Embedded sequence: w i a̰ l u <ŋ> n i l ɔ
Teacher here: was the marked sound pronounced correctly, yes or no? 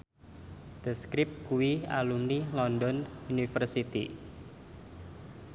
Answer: no